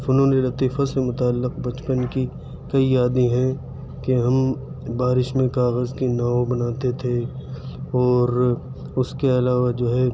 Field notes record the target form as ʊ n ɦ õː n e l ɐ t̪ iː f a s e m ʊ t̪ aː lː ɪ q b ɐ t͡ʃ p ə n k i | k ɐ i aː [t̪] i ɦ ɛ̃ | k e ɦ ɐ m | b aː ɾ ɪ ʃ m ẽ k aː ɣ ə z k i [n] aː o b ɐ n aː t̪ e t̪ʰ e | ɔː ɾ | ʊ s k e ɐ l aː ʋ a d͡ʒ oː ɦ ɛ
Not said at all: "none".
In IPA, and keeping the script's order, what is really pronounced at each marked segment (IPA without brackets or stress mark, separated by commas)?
d̪, n